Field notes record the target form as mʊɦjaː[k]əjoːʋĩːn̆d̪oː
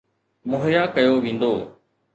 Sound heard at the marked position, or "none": k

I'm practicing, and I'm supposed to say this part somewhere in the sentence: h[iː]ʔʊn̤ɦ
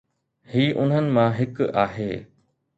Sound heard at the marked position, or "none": iː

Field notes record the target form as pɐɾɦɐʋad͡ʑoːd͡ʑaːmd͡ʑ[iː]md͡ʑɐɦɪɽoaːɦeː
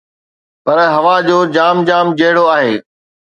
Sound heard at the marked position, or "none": aː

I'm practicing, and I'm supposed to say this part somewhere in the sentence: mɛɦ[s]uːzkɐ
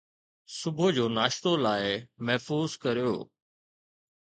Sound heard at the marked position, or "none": f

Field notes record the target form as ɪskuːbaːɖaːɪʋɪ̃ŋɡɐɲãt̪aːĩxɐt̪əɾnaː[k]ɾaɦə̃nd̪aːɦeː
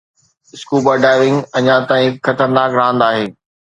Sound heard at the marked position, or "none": k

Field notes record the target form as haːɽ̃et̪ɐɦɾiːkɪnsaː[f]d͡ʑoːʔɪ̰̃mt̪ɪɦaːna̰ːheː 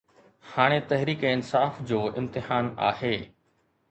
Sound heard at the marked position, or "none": f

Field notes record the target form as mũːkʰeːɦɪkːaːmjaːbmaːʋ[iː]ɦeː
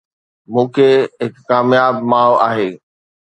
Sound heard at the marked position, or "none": aː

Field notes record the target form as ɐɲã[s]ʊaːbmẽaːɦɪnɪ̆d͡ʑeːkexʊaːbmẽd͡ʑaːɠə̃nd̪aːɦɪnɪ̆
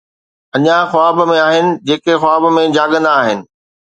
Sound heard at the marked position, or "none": x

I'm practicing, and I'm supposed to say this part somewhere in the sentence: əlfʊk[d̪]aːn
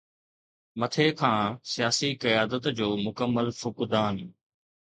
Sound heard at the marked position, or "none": d̪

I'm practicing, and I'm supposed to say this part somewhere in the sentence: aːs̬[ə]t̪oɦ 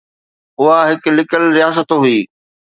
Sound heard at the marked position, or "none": ə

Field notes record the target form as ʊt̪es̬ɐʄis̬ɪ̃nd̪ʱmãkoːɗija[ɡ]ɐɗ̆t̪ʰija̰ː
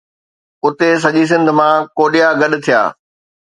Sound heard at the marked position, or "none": ɡ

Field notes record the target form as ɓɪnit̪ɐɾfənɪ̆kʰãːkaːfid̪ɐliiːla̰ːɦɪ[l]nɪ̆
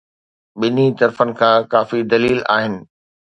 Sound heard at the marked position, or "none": none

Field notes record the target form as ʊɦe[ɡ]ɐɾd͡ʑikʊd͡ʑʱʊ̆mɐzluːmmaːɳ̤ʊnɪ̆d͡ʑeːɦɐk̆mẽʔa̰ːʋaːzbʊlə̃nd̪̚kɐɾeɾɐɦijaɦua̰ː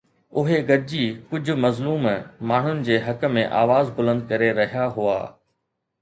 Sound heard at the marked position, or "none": ɡ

